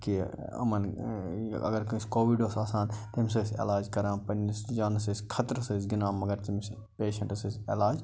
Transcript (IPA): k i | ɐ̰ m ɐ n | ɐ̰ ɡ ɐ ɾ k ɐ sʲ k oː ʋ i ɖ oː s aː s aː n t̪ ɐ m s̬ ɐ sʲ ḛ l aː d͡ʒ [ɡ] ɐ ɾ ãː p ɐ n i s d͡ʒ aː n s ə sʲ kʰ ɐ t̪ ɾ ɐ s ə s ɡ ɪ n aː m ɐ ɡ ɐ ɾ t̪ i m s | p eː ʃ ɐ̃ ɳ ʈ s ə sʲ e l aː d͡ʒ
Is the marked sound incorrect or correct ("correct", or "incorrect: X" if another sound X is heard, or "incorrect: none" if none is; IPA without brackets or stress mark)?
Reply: incorrect: k